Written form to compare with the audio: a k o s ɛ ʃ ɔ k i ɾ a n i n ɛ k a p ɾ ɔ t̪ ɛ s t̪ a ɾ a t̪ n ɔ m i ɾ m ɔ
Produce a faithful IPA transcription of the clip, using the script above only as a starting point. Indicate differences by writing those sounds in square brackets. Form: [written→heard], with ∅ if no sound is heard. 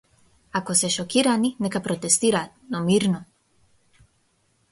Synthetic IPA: a k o s ɛ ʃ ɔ k i ɾ a n i n ɛ k a p ɾ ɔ t̪ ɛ s t̪ [a→i] ɾ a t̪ n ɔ m i ɾ [m→n] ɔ

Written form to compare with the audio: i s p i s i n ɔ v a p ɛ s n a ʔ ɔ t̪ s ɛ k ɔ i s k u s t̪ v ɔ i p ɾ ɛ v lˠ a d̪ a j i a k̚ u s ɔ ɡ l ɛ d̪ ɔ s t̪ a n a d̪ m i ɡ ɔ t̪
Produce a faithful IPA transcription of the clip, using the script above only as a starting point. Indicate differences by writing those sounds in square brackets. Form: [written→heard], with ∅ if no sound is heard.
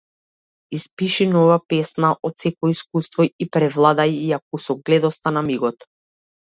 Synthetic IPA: i s p i [s→ʃ] i n ɔ v a p ɛ s n a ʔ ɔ t̪ s ɛ k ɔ i s k u s t̪ v ɔ i p ɾ ɛ v lˠ a d̪ a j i a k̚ u s ɔ ɡ l ɛ d̪ ɔ s t̪ a n a [d̪→∅] m i ɡ ɔ t̪

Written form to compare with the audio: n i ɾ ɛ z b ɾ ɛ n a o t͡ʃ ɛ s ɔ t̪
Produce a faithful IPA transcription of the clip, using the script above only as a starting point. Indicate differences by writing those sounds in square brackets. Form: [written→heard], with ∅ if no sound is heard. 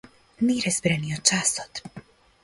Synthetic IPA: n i ɾ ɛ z b ɾ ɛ n [a→i] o t͡ʃ [ɛ→a] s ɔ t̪

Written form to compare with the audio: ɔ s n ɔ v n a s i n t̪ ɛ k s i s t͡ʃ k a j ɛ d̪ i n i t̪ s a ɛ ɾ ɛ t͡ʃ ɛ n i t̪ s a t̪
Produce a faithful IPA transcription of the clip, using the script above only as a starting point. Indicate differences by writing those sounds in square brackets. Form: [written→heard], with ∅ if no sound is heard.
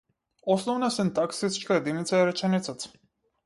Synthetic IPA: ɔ s n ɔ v n a s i n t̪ [ɛ→a] k s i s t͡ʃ k a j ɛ d̪ i n i t̪ s a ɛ ɾ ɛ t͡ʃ ɛ n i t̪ s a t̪

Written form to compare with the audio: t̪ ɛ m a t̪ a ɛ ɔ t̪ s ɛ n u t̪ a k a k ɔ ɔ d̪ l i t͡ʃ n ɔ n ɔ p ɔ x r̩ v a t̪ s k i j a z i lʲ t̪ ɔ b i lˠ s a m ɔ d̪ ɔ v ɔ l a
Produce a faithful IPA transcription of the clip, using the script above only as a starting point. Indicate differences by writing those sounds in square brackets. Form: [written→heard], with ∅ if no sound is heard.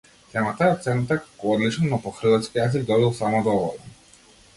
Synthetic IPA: t̪ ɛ m a t̪ a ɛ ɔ t̪ s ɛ n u t̪ a k a k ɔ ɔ d̪ l i t͡ʃ n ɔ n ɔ p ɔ x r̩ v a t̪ s k i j a z i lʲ [t̪→d̪] ɔ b i lˠ s a m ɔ d̪ ɔ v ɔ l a

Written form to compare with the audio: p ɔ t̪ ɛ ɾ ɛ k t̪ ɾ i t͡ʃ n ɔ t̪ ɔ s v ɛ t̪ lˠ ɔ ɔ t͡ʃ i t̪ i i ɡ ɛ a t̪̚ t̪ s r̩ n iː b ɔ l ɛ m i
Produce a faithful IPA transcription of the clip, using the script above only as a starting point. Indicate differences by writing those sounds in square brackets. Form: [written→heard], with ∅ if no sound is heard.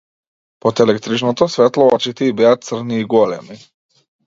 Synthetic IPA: p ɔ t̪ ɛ [ɾ→l] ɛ k t̪ ɾ i t͡ʃ n ɔ t̪ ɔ s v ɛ t̪ lˠ ɔ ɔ t͡ʃ i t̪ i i [ɡ→b] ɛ a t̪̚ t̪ s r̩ n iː [b→ɡ] ɔ l ɛ m i

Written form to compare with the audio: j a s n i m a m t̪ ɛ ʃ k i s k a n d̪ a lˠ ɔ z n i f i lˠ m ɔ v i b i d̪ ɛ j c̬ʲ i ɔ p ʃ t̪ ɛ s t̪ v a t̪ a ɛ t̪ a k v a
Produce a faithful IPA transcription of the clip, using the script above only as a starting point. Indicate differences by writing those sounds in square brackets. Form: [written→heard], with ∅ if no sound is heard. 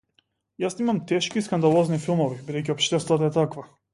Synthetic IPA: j a s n i m a m t̪ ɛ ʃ k i s k a n d̪ a lˠ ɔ z n i f i lˠ m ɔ v i b i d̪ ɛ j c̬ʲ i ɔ p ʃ t̪ ɛ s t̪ v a t̪ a ɛ t̪ a k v a

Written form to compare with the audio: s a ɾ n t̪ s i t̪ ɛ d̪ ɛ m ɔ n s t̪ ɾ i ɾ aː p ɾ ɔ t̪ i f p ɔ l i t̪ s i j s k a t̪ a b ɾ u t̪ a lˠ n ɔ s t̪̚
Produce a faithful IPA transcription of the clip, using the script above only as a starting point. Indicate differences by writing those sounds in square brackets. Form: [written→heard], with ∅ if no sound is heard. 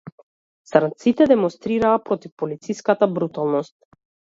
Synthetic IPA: s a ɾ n t̪ s i t̪ ɛ d̪ ɛ m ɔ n s t̪ ɾ i ɾ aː p ɾ ɔ t̪ i f p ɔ l i t̪ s i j s k a t̪ a b ɾ u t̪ a lˠ n ɔ s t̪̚

